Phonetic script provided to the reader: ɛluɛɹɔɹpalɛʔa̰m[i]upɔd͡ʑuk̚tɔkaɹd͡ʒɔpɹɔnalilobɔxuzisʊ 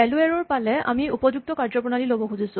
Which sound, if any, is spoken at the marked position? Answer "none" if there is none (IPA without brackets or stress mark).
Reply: i